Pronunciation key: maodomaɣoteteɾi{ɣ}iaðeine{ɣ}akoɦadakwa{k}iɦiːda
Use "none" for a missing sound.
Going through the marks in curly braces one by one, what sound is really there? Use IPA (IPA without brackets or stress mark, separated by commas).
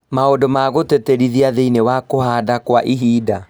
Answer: ð, w, ʔ